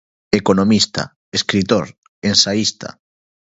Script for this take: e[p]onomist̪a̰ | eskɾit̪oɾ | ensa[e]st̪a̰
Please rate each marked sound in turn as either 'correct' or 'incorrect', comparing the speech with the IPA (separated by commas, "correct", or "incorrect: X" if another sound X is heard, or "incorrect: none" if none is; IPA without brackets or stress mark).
incorrect: k, incorrect: i